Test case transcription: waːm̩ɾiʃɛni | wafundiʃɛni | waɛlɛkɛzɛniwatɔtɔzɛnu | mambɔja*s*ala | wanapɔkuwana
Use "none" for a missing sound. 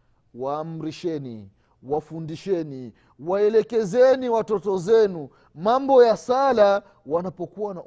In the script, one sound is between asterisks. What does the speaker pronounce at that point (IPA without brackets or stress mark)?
s